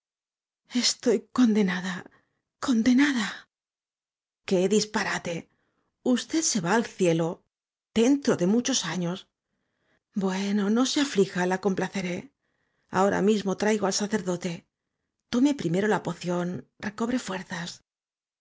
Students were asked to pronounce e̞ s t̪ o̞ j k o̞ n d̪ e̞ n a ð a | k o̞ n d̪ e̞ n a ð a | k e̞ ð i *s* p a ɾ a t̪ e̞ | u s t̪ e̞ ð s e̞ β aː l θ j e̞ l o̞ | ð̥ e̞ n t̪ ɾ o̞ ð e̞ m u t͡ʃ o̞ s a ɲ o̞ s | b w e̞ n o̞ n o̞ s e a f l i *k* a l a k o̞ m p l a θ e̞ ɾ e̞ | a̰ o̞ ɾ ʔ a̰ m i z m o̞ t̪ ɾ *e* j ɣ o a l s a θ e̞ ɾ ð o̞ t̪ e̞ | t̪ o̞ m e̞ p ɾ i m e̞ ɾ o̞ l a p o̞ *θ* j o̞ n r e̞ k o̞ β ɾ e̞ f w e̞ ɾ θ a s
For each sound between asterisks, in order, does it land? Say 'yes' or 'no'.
yes, no, no, yes

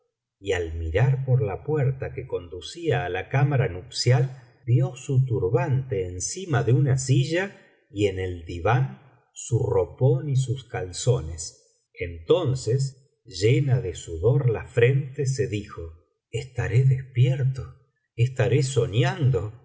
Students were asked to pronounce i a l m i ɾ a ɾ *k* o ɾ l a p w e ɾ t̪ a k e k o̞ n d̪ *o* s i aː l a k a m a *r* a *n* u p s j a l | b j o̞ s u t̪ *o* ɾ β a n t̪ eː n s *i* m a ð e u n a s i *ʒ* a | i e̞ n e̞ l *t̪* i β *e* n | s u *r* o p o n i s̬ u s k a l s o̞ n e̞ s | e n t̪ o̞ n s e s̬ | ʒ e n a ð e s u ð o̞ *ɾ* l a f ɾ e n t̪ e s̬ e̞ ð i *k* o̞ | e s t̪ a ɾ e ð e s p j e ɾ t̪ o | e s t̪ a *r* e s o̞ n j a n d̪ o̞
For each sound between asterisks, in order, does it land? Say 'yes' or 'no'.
no, no, no, yes, no, yes, yes, no, no, yes, yes, no, no

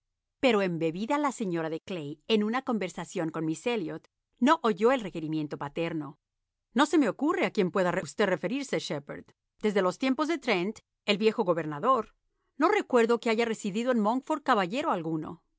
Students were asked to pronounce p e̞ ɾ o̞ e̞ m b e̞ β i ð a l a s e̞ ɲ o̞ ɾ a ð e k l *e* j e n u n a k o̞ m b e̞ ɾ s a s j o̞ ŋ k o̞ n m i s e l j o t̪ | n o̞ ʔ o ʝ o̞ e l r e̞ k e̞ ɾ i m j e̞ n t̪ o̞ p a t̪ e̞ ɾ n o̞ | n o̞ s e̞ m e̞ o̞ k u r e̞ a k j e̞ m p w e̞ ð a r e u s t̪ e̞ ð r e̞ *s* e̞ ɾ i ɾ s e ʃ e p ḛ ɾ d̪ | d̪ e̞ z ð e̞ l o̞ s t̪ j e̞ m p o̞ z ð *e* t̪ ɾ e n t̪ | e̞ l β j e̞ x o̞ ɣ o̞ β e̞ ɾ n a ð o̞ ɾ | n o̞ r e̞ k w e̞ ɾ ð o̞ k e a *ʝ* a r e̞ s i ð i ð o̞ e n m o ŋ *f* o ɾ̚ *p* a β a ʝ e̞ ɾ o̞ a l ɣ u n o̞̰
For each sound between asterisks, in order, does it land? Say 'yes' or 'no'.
yes, no, yes, yes, yes, no

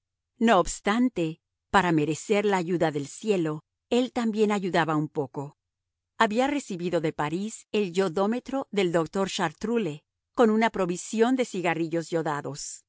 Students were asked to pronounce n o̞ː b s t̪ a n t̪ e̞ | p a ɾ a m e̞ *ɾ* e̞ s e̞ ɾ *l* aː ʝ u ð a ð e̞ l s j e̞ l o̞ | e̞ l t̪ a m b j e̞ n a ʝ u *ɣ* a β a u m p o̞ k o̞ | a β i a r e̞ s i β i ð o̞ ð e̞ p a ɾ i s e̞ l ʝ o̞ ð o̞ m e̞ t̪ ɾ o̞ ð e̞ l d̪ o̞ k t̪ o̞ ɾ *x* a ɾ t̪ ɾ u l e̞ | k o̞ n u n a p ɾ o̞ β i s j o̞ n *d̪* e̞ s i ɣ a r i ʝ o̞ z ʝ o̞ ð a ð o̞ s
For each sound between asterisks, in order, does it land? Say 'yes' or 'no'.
yes, yes, no, no, yes

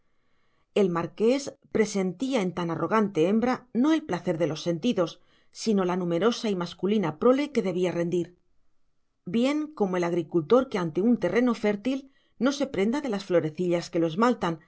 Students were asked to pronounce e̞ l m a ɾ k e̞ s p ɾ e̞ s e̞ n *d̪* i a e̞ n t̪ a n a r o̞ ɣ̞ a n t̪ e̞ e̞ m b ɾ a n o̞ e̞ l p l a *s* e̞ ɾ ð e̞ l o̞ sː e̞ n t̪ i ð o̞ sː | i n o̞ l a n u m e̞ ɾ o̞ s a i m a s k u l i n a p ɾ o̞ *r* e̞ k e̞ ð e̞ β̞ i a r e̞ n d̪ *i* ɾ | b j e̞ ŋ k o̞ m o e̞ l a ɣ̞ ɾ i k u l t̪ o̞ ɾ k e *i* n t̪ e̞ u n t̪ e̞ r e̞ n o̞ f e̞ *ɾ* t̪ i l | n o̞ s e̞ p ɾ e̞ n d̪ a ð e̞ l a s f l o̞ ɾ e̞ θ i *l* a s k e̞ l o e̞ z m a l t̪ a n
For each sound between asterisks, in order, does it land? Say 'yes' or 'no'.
no, no, no, yes, no, yes, no

